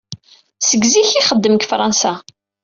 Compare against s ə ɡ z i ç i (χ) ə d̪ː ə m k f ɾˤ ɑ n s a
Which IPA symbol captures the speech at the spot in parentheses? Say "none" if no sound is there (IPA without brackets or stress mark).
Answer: χ